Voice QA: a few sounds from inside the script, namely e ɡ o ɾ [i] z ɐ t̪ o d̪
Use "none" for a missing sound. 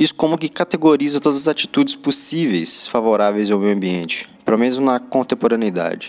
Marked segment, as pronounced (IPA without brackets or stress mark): i